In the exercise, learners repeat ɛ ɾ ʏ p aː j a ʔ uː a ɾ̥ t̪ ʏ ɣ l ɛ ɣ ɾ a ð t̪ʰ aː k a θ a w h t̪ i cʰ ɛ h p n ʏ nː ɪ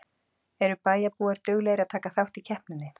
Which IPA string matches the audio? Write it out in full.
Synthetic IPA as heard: ɛ ɾ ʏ p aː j a p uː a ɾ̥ t̪ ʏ ɣ l ɛ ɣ ɾ a ð t̪ʰ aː k a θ a w h t̪ i cʰ ɛ h p n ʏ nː ɪ